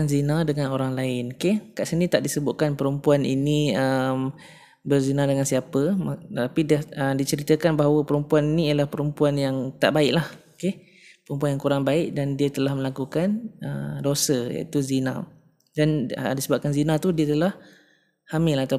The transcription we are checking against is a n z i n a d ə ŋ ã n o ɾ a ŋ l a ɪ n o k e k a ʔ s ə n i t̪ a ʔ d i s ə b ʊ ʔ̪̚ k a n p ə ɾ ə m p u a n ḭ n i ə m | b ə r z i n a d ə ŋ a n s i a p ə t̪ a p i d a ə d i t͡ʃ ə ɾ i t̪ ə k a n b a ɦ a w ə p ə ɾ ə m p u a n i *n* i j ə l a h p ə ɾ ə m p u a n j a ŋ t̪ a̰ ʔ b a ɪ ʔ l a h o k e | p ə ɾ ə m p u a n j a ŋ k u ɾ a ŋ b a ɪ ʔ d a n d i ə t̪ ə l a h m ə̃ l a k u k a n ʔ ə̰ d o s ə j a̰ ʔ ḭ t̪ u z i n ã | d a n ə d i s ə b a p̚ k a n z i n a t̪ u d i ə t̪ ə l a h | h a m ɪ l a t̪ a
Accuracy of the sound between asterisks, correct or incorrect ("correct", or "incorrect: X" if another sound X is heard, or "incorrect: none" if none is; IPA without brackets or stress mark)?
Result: correct